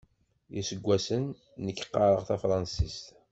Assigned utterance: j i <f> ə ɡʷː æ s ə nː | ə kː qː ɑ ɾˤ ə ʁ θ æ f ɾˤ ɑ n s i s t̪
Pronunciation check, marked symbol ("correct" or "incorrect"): incorrect